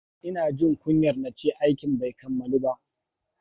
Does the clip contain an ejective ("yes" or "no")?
no